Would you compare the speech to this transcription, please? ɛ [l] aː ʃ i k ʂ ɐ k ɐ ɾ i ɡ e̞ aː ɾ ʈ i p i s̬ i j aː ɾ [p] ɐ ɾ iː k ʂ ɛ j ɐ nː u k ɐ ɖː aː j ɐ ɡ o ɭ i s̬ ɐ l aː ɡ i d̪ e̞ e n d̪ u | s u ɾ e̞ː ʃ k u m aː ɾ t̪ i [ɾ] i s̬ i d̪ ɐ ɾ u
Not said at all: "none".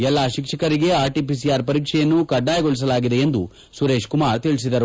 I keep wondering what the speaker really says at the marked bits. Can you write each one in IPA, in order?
lː, p, ɭ

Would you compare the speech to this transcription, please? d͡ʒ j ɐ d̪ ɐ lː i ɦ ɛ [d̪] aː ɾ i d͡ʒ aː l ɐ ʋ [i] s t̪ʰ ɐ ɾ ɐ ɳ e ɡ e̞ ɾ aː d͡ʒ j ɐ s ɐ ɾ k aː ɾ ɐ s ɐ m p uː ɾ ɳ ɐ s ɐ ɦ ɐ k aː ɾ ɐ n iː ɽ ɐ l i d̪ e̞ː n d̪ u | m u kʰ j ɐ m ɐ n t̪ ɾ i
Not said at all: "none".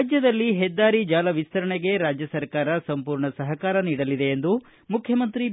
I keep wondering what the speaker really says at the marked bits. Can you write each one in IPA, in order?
d̪ː, i

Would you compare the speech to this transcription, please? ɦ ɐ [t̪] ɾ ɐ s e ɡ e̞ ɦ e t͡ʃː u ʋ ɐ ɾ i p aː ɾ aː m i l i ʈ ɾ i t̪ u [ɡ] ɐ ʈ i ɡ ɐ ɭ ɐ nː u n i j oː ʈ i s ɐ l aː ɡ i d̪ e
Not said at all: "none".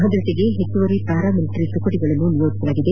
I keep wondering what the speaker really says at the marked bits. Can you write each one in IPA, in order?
d̪, k

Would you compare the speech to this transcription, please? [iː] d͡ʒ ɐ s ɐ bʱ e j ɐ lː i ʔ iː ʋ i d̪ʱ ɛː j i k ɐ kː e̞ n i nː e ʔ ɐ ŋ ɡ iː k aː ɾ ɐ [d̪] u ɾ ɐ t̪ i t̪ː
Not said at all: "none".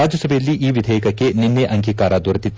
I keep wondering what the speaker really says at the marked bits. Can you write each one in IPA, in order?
aː, d̪

